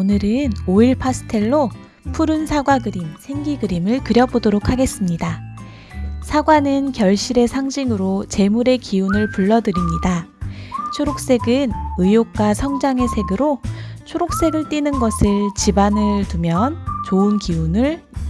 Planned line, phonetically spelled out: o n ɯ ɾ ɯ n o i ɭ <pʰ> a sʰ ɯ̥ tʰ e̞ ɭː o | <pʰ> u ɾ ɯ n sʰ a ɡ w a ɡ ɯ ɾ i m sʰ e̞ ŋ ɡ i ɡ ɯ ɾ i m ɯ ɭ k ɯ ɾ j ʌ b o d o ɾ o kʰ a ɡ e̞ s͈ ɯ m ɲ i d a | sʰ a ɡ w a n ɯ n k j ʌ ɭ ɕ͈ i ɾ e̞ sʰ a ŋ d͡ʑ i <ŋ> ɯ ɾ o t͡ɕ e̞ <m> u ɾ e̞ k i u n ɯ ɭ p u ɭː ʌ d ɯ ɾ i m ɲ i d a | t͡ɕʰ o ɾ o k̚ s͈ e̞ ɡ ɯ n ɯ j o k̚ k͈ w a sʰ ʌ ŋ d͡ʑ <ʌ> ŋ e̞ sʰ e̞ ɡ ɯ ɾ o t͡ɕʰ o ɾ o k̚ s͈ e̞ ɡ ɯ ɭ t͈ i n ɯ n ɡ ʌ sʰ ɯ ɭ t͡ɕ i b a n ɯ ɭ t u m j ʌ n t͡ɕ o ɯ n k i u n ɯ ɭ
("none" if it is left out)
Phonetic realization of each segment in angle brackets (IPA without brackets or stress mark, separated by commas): pʰ, pʰ, ŋ, m, a